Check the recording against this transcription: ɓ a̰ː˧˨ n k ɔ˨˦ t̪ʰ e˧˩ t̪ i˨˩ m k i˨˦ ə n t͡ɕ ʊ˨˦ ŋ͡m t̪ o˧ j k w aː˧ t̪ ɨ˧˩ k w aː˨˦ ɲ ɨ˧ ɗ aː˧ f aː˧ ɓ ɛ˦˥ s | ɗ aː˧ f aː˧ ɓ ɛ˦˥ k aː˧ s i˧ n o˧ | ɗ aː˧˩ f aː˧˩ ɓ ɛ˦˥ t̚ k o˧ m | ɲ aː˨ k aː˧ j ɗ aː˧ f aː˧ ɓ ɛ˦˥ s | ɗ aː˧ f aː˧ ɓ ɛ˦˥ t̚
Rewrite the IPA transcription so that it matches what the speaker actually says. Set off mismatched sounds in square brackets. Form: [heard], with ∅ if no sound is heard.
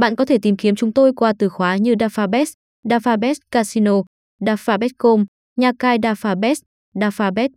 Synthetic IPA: ɓ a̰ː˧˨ n k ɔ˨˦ t̪ʰ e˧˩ t̪ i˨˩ m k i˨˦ ə [m] t͡ɕ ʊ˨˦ ŋ͡m t̪ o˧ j k w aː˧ t̪ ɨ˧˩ [x] w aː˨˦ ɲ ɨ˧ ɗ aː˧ f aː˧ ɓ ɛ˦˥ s | ɗ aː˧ f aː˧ ɓ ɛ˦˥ k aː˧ s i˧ n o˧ | ɗ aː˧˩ f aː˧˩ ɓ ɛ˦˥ t̚ k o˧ m | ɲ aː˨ k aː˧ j ɗ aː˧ f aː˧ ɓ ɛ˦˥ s | ɗ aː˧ f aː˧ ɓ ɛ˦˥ t̚